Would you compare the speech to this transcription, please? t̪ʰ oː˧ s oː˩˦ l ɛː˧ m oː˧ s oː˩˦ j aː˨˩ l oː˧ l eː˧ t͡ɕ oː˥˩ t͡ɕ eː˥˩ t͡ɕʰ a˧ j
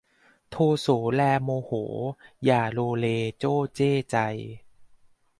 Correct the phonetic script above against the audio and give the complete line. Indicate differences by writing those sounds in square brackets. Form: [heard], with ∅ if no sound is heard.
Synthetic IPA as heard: t̪ʰ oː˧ s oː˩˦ l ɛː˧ m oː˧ [h] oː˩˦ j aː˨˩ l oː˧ l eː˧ t͡ɕ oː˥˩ t͡ɕ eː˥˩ [t͡ɕ] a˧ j